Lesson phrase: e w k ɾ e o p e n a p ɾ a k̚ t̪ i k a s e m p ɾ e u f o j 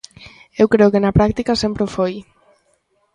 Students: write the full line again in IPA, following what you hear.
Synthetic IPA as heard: e w k ɾ e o k e n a p ɾ a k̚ t̪ i k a s e m p ɾ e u f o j